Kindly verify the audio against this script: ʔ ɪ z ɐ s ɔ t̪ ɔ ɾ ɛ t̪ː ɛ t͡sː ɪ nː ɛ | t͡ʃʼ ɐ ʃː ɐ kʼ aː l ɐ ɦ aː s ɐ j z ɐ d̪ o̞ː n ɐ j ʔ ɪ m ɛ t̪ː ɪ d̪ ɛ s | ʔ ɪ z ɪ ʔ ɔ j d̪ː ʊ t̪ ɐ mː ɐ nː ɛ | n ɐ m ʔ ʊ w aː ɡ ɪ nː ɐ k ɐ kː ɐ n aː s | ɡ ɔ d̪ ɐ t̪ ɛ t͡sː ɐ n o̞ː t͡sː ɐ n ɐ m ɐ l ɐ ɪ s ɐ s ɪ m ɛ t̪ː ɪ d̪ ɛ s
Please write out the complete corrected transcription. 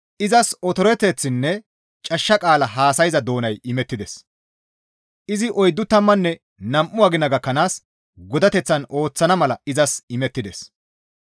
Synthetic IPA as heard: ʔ ɪ z ɐ s ɔ t̪ ɔ ɾ ɛ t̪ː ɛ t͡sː ɪ nː ɛ | t͡ʃʼ ɐ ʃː ɐ kʼ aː l ɐ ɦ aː s ɐ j z ɐ d̪ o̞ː n ɐ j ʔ ɪ m ɛ t̪ː ɪ d̪ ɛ s | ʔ ɪ z ɪ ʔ ɔ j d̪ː ʊ t̪ ɐ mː ɐ nː ɛ | n ɐ m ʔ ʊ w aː ɡ ɪ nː ɐ ɡ ɐ kː ɐ n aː s | ɡ ɔ d̪ ɐ t̪ ɛ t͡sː ɐ n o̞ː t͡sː ɐ n ɐ m ɐ l ɐ ɪ z ɐ s ɪ m ɛ t̪ː ɪ d̪ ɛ s